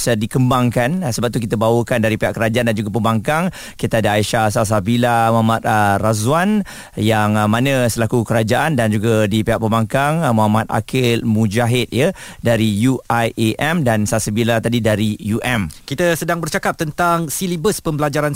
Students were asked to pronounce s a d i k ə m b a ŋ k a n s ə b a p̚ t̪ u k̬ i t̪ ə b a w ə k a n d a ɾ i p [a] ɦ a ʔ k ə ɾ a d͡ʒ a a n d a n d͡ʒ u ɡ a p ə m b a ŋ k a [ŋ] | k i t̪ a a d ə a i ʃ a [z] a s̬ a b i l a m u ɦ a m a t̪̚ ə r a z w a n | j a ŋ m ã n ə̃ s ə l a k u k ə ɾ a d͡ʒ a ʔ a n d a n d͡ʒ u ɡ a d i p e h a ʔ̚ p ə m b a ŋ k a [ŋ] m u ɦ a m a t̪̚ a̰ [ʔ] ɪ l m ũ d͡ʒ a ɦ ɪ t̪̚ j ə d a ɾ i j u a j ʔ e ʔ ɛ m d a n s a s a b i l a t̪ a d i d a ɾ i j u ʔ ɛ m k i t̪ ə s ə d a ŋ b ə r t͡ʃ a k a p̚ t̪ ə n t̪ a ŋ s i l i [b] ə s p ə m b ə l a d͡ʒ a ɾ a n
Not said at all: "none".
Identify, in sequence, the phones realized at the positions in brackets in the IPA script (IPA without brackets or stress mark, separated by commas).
e, ŋ, s, ŋ, k, b